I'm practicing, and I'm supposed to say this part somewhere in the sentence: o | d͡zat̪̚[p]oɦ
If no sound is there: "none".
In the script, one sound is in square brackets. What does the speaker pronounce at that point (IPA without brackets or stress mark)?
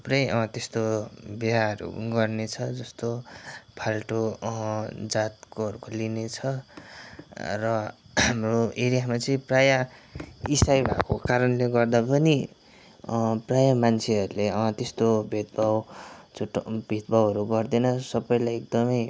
k